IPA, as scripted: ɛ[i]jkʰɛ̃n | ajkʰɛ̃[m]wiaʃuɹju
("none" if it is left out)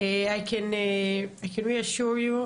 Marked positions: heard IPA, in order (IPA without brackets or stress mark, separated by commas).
a, n